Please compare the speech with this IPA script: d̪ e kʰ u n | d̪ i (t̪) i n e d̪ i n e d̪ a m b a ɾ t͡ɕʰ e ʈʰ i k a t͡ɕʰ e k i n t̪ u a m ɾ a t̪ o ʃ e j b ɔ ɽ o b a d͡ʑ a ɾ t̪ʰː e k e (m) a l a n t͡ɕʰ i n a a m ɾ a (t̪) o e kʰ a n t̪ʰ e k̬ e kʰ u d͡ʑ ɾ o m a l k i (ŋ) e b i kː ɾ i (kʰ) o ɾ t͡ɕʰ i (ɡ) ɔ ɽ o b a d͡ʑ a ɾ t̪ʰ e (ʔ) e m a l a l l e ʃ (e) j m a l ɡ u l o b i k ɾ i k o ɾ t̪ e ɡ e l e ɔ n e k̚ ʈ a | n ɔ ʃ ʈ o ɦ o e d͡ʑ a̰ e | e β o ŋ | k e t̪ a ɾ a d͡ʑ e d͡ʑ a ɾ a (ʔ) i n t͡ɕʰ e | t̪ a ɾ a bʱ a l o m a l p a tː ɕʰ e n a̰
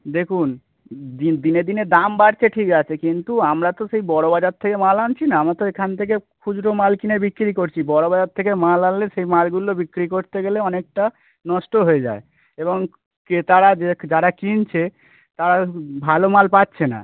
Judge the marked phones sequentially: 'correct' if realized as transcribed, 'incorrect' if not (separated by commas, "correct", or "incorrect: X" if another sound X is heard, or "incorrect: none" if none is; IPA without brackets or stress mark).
incorrect: d̪, correct, correct, incorrect: n, incorrect: k, incorrect: b, incorrect: k, correct, incorrect: k